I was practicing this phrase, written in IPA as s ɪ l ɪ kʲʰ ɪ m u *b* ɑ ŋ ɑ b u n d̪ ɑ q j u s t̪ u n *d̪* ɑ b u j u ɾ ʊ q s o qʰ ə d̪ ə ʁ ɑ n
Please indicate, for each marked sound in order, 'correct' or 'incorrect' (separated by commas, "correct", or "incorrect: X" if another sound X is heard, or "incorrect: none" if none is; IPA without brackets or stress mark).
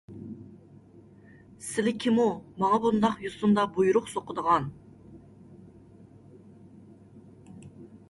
incorrect: m, correct